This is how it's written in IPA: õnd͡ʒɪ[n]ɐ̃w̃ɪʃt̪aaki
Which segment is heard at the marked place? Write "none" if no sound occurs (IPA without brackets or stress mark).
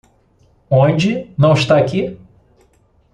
n